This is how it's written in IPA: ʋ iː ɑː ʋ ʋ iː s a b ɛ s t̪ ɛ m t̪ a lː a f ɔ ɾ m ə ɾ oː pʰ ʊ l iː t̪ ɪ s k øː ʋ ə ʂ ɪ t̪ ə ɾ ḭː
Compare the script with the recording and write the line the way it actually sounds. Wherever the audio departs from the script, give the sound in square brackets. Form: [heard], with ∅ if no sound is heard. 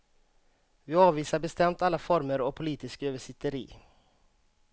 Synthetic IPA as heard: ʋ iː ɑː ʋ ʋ iː s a b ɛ s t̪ ɛ m t̪ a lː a f ɔ ɾ m ə ɾ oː pʰ ʊ l iː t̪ ɪ s k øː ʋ ə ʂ ɪ t̪ ə ɾ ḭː